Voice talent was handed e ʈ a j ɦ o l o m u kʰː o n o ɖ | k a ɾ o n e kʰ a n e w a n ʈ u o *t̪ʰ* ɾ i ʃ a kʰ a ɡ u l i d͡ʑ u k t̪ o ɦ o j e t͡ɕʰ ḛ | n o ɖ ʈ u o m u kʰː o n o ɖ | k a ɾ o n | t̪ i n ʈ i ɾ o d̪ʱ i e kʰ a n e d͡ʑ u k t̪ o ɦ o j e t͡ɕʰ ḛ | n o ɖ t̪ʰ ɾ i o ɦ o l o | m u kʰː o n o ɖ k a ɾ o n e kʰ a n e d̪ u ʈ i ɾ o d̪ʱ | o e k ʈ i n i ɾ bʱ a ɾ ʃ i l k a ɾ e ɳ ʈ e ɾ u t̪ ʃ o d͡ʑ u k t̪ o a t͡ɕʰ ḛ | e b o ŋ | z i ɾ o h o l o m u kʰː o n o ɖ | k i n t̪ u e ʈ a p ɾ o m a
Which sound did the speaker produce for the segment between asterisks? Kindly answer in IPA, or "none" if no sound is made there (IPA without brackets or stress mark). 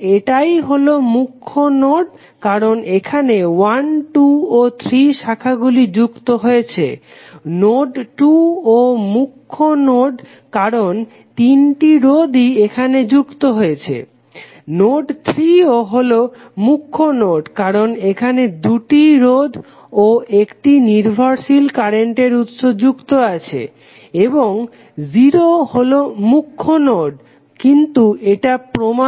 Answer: t̪ʰ